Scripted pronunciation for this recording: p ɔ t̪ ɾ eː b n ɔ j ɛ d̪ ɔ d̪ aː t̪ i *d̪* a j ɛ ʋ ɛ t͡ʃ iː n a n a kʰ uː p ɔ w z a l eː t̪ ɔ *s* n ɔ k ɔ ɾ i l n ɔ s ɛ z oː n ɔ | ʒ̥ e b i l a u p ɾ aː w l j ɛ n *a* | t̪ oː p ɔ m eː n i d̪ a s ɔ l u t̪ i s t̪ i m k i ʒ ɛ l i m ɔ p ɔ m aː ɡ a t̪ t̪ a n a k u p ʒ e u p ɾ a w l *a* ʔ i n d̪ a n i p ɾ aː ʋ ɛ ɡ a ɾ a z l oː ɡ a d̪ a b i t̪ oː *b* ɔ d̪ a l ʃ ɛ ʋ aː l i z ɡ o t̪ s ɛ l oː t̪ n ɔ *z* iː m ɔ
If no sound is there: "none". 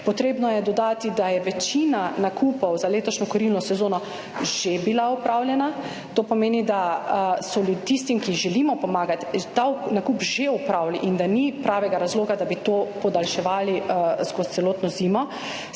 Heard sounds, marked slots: d̪, ʃ, a, i, p, z

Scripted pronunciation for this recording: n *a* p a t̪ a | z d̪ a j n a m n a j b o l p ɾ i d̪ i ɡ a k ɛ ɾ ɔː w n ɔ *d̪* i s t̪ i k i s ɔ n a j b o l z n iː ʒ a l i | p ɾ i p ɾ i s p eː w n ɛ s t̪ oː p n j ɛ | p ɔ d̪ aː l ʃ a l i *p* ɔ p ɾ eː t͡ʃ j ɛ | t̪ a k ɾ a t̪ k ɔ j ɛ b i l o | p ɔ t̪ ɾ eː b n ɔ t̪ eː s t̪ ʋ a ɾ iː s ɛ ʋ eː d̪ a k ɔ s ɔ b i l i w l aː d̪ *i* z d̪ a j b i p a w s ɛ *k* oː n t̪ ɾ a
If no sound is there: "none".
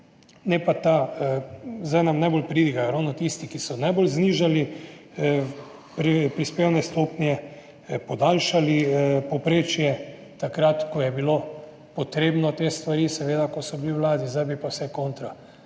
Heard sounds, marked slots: ɛ, t̪, p, i, k

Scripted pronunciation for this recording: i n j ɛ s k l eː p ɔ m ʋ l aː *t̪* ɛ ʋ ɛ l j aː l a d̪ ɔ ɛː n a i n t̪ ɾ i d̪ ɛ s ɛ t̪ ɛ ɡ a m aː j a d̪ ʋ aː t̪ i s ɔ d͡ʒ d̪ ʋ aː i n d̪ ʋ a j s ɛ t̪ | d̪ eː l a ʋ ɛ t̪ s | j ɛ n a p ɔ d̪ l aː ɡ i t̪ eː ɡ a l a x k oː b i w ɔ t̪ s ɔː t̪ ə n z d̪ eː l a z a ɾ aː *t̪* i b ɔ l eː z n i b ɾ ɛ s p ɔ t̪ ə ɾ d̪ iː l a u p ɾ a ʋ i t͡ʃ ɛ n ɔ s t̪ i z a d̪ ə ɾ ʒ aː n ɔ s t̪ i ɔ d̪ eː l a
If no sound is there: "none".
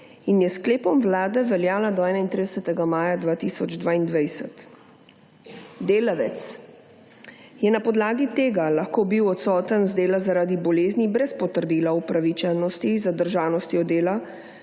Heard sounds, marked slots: d̪, d̪

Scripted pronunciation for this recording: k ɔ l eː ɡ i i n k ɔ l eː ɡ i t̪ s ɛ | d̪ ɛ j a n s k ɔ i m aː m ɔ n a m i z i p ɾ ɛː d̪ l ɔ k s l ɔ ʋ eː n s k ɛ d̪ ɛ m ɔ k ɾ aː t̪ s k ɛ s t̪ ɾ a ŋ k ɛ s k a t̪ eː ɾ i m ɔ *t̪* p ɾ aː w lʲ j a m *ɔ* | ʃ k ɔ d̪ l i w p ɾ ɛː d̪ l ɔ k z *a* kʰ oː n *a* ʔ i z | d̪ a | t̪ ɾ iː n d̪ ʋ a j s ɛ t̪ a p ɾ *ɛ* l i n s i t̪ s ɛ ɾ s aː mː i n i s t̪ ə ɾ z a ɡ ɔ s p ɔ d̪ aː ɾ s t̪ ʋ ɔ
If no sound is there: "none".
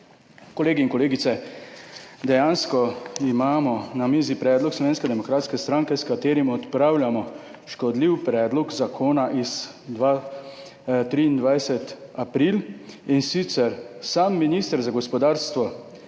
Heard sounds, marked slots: t̪, ɔ, a, a, i

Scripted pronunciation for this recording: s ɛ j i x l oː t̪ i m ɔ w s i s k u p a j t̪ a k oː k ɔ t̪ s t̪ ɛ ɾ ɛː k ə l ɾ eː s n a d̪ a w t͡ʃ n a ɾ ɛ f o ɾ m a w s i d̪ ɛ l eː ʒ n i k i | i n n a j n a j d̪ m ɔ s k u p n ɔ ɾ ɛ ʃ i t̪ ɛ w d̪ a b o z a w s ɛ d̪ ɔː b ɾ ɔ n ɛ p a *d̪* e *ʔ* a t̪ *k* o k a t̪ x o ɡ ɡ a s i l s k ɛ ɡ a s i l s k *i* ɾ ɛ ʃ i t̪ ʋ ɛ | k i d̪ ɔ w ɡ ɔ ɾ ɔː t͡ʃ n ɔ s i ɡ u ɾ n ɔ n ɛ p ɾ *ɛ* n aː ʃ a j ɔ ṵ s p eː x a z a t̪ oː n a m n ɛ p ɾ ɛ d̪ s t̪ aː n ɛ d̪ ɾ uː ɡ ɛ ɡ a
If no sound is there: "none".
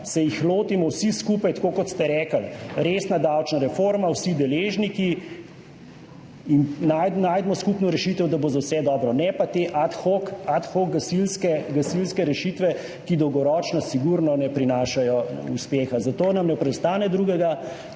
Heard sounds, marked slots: t̪, ʔ, x, ɛ, i

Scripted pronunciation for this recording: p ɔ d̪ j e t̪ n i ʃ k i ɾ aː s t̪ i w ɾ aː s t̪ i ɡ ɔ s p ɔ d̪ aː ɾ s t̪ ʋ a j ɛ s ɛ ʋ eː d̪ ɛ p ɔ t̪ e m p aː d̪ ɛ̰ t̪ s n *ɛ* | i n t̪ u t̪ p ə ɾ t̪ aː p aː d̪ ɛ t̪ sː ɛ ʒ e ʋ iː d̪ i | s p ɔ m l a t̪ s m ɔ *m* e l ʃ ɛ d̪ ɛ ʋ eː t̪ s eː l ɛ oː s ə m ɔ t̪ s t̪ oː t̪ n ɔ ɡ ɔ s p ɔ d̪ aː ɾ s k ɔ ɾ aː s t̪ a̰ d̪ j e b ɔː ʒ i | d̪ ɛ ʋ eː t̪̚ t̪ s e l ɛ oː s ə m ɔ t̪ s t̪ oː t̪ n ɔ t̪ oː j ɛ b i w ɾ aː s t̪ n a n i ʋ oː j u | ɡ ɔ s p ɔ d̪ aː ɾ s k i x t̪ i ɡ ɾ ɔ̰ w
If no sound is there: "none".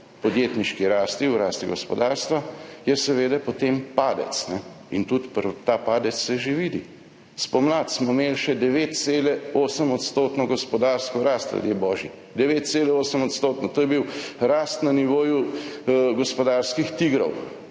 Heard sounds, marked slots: ɛ, m

